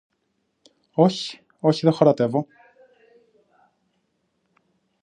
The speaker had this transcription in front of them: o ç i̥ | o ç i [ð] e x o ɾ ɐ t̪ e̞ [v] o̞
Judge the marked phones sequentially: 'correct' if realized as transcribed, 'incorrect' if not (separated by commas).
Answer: correct, correct